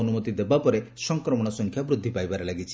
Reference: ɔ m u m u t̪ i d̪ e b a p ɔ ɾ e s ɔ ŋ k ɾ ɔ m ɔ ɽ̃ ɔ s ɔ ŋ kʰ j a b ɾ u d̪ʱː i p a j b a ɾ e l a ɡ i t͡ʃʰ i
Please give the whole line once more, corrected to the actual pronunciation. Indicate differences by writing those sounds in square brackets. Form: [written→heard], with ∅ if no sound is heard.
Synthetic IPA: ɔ [m→n] u m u t̪ i d̪ e b a p ɔ ɾ e s ɔ ŋ k ɾ ɔ m ɔ ɽ̃ ɔ s ɔ ŋ kʰ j a b ɾ u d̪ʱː i p a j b a ɾ e l a ɡ i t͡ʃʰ i